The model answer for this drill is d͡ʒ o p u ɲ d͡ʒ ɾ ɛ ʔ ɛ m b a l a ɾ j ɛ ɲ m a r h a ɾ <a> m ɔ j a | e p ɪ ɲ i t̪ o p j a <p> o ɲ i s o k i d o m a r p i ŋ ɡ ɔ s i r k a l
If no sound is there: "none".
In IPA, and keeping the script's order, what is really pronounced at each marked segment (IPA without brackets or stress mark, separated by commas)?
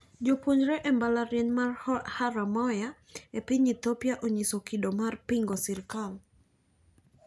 a, ʔ